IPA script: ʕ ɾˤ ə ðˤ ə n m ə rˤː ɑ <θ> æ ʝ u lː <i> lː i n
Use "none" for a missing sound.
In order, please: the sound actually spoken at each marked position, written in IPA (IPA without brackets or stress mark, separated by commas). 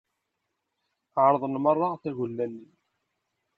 θ, æ